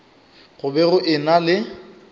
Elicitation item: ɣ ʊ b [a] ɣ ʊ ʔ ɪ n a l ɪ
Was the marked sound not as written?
yes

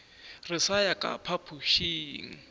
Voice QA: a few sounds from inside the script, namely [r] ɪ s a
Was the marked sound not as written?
no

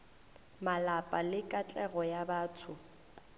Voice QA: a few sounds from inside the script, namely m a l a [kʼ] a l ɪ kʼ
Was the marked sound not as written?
yes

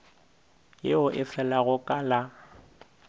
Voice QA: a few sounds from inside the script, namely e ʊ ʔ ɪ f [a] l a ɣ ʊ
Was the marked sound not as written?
yes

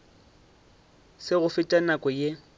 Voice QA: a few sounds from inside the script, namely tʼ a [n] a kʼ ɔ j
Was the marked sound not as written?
no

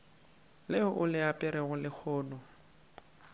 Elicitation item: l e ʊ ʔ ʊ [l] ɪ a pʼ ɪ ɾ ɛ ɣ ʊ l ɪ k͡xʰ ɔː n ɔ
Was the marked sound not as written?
no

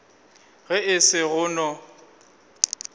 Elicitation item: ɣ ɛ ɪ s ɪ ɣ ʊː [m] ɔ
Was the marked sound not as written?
yes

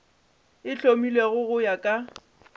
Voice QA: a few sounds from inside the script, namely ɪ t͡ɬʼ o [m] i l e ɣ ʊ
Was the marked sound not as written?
no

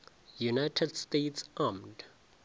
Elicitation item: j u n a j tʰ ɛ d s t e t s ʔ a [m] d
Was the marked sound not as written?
no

